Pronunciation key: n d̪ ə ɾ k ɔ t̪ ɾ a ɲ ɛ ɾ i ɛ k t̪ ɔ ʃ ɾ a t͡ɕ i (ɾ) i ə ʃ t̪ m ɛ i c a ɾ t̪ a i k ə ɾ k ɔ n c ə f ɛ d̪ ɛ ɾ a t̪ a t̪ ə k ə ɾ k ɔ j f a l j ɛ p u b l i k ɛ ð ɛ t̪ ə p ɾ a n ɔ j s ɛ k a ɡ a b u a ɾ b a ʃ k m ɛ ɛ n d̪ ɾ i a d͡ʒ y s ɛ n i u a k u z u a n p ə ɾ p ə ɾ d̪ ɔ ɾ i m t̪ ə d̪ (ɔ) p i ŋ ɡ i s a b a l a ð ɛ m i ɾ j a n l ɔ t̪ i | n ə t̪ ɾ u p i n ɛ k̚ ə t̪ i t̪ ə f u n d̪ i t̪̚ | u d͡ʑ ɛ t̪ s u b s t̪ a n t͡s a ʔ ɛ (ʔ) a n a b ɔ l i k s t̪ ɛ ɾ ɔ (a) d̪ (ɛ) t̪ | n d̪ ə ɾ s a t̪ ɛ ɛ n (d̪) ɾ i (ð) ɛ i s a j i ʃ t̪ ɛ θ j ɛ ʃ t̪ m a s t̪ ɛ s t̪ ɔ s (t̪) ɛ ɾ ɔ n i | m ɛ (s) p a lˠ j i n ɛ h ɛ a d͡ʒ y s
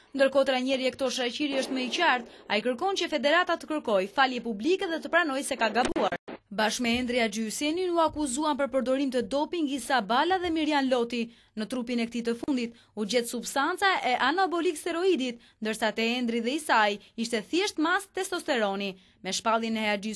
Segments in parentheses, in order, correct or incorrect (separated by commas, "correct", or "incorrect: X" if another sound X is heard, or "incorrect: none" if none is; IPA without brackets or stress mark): correct, correct, correct, incorrect: i, incorrect: i, correct, correct, correct, incorrect: ʃ